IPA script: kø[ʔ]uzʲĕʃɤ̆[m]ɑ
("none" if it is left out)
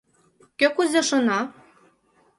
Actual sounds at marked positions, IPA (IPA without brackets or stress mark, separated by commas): k, n